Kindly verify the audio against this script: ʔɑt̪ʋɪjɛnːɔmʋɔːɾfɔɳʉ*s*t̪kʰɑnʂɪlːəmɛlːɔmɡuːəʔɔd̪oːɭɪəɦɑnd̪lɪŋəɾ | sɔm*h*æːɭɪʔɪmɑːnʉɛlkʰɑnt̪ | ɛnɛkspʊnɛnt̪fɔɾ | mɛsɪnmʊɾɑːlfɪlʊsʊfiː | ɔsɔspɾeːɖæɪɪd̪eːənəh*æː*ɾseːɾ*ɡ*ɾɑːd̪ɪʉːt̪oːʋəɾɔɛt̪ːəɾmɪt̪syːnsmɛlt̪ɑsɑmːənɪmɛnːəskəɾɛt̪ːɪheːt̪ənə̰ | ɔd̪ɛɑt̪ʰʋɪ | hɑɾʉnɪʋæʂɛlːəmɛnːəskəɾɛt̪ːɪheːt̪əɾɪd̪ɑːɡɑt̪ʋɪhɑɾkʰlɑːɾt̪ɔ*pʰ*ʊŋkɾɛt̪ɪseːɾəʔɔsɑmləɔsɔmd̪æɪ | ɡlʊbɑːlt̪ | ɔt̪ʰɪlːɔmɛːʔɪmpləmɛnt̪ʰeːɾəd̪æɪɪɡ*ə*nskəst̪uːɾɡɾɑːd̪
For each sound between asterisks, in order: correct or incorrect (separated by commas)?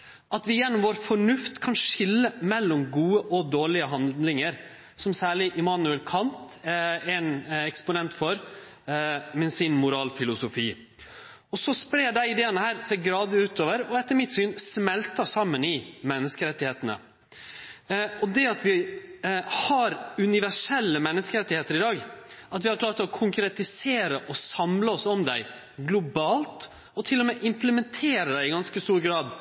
incorrect, incorrect, correct, correct, incorrect, incorrect